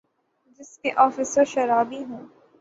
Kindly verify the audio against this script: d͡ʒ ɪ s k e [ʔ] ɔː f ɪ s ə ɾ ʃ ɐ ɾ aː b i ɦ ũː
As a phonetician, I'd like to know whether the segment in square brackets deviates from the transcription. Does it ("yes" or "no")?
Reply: no